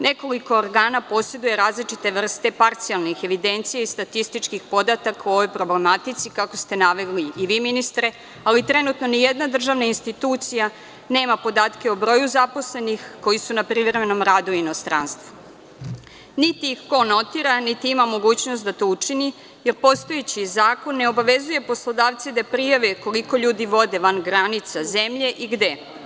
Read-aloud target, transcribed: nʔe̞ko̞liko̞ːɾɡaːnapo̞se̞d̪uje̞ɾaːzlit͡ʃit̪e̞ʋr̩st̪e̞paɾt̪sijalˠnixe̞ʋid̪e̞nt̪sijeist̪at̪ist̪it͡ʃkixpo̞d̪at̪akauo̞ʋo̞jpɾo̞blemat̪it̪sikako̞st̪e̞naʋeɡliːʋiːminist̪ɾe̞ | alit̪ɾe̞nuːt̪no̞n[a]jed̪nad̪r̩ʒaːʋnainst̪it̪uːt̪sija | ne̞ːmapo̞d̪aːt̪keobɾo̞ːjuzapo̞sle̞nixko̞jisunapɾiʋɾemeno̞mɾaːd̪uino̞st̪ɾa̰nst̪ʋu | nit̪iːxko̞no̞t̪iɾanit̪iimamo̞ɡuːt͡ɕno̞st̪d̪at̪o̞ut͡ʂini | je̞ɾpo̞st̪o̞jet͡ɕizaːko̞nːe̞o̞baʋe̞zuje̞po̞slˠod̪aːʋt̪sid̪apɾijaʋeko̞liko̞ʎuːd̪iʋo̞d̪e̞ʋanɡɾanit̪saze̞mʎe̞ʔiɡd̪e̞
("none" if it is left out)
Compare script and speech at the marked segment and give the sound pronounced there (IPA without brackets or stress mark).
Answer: i